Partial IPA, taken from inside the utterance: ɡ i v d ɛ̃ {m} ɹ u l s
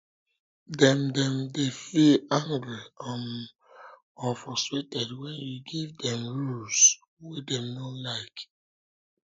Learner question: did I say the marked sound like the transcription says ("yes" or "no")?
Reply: yes